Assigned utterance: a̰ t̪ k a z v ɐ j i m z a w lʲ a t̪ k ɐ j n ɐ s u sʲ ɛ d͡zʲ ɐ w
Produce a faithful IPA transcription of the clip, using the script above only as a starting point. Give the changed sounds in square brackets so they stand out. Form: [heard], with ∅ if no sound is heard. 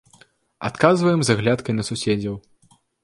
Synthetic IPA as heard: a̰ t̪ k a z v ɐ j [ɛ] m z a [ɣ] lʲ a t̪ k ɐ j n ɐ s u sʲ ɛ d͡zʲ ɐ w